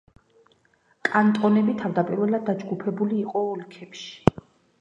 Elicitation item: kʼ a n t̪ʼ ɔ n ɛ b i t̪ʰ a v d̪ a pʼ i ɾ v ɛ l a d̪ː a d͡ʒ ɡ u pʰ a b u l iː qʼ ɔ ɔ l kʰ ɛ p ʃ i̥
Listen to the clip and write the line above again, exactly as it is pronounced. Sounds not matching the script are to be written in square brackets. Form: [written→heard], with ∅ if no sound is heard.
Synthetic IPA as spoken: kʼ a n t̪ʼ ɔ n ɛ b i t̪ʰ a v d̪ a pʼ i ɾ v ɛ l a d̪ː a d͡ʒ ɡ u pʰ [a→ɛ] b u l iː qʼ ɔ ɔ l kʰ ɛ p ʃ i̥